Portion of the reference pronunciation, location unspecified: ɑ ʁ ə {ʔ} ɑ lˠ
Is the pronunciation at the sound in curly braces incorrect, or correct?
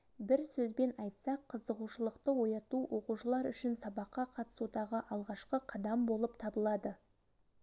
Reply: correct